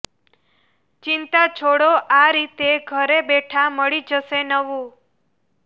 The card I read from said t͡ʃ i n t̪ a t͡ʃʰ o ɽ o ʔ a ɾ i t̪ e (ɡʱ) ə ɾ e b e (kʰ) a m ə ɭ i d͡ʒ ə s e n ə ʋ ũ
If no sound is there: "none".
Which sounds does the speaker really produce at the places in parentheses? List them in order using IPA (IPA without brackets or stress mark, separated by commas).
ɡʱ, ʈʰ